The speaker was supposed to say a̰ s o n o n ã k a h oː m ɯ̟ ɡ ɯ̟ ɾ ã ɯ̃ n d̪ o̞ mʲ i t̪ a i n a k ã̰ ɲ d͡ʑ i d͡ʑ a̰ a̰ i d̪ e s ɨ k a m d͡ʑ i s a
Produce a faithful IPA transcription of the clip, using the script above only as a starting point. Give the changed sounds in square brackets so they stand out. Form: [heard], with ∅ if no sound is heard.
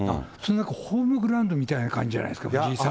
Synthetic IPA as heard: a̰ s o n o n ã k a h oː m ɯ̟ ɡ ɯ̟ ɾ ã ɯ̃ n d̪ o̞ mʲ i t̪ a i n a k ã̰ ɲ d͡ʑ i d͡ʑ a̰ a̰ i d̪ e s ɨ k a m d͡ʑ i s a